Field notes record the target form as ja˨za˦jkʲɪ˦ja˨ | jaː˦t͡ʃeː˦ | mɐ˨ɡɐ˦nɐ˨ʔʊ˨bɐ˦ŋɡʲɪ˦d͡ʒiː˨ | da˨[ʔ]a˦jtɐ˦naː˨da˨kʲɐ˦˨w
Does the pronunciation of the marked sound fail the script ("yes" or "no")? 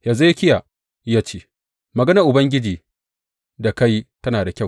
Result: yes